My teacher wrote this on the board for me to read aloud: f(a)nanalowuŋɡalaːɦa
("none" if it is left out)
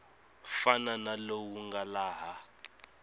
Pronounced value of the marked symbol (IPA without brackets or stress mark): a